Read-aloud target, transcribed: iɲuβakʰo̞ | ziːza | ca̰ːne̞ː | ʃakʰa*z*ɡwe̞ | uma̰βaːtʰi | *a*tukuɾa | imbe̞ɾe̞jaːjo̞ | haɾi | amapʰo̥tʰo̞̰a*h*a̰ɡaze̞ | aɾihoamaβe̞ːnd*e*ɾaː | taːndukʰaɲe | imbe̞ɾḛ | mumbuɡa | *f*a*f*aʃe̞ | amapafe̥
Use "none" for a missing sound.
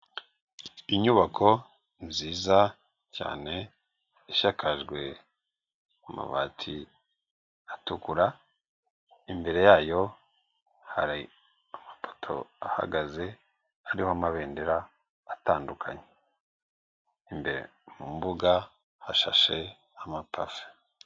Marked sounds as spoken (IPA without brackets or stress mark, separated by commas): ʒ, a, h, e, h, ʃ